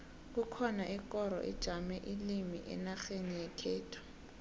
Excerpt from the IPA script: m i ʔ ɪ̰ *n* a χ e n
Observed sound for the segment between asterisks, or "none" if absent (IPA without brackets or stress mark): n